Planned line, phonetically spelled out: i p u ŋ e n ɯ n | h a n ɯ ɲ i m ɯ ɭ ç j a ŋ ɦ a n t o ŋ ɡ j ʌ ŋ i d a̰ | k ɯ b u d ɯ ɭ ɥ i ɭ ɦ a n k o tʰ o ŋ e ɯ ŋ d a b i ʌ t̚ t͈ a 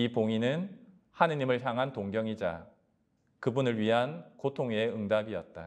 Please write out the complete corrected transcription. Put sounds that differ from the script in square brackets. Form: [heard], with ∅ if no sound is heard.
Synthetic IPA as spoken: i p [o] ŋ [i] n ɯ n | h a n ɯ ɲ i m ɯ ɭ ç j a ŋ ɦ a n t o ŋ ɡ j ʌ ŋ i [d͡ʑ] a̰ | k ɯ b u [n] ɯ ɭ ɥ i [∅] ɦ a n k o tʰ o ŋ e ɯ ŋ d a b i ʌ t̚ t͈ a